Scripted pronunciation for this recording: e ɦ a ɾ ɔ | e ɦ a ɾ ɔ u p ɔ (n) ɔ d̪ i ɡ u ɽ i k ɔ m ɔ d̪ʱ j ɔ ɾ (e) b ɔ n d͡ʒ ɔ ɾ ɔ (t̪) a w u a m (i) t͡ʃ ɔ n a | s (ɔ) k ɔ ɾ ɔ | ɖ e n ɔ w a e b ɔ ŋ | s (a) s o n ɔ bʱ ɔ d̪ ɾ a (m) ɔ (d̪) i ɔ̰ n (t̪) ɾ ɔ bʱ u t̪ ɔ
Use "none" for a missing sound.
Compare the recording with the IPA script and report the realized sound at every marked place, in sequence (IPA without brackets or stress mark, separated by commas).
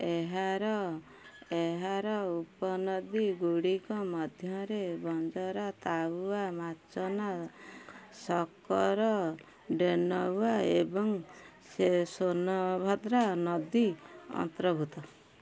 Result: n, e, t̪, a, ɔ, e, n, d̪, t̪